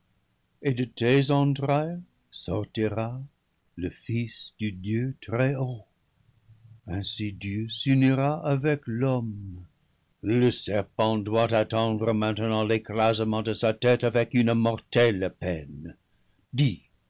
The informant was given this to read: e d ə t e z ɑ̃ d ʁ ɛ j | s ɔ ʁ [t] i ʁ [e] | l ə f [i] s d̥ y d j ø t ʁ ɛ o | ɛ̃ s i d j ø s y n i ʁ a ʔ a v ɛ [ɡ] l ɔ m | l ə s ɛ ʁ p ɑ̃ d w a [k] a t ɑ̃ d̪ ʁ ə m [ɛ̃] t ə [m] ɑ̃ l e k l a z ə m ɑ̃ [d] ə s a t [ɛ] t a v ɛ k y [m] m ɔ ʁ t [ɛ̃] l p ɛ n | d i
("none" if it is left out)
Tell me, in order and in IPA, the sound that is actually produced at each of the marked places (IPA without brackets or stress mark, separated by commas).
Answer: t, a, i, k, t, ɛ̃, n, d, ɛ, n, ɛ